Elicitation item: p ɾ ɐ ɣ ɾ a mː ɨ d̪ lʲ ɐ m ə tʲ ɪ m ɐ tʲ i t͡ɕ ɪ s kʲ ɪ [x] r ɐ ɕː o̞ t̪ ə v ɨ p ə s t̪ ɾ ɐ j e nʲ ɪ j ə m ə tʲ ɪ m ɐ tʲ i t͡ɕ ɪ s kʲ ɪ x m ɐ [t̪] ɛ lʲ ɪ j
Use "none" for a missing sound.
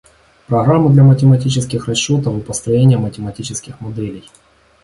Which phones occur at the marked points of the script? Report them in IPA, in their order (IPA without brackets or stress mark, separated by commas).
x, d̪